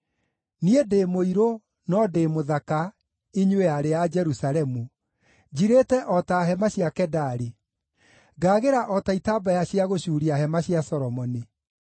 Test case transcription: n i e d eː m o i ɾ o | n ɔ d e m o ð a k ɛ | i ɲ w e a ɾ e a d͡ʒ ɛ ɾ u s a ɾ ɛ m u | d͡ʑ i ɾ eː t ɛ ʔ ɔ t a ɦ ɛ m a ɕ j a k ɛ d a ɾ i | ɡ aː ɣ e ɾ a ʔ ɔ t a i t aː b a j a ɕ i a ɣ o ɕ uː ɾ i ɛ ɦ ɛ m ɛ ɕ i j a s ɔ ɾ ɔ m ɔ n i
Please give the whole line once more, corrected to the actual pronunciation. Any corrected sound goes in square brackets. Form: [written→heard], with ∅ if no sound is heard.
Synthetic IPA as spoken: n i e d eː m o i ɾ o | n ɔ d e m o ð a k [ɛ→a] | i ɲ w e a ɾ e a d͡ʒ ɛ ɾ u s a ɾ ɛ m u | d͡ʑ i ɾ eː t ɛ ʔ ɔ t a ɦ ɛ m a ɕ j a k ɛ d a ɾ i | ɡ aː ɣ e ɾ a ʔ ɔ t a i t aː b a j a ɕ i a ɣ o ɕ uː ɾ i [ɛ→a] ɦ ɛ m [ɛ→a] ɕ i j a s ɔ ɾ ɔ m ɔ n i